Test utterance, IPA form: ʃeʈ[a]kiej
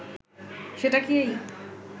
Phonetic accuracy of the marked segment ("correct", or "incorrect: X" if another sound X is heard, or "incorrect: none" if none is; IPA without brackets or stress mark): correct